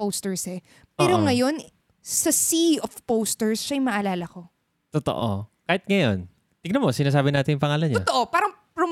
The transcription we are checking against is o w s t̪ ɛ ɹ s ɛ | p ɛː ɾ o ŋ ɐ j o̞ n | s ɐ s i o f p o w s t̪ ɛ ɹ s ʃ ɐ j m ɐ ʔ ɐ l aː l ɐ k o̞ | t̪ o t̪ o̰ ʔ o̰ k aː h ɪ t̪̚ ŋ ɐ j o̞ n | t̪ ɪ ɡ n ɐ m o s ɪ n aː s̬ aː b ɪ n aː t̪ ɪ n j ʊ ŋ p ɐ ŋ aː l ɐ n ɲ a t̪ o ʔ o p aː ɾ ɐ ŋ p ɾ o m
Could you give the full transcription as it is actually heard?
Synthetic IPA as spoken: o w s t̪ ɛ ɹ s ɛ | p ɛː ɾ o ŋ ɐ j o̞ n | s ɐ s i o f p o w s t̪ ɛ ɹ s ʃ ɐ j m ɐ ʔ ɐ l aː l ɐ k o̞ | t̪ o t̪ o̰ ʔ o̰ k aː h ɪ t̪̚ ŋ ɐ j o̞ n | t̪ ɪ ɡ n ɐ m o s ɪ n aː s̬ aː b ɪ n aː t̪ ɪ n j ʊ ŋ p ɐ ŋ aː l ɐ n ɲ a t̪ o ʔ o p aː ɾ ɐ ŋ p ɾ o m